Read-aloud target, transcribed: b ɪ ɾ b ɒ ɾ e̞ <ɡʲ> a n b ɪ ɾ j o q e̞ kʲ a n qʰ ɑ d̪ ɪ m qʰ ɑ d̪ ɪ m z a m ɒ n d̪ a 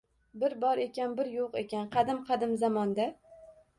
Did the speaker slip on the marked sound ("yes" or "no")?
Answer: yes